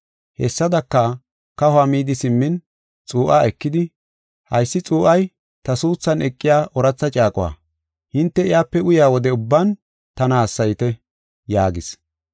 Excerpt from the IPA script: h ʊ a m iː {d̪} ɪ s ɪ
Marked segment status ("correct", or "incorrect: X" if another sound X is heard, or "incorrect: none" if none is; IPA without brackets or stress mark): correct